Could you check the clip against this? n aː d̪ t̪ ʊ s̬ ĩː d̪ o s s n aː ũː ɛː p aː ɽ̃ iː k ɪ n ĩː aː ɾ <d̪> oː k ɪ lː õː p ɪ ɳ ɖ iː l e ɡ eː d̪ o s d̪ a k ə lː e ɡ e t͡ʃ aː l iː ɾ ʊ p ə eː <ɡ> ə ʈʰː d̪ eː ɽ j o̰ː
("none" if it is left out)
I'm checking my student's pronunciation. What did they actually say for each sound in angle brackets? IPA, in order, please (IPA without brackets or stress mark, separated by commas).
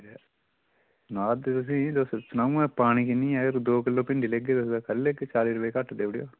d̪, k